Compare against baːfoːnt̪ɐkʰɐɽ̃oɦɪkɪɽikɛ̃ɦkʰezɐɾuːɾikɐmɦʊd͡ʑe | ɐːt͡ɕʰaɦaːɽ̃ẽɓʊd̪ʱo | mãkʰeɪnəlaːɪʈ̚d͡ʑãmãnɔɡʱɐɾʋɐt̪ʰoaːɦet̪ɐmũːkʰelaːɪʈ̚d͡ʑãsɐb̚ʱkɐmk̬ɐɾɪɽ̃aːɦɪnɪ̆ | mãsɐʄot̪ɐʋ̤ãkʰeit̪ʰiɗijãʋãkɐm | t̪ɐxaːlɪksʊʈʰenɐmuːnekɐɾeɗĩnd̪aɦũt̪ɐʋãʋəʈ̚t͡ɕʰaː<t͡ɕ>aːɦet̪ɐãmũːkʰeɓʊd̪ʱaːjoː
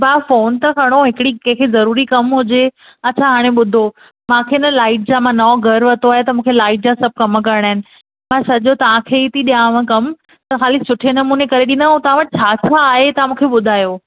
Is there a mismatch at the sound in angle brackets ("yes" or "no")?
yes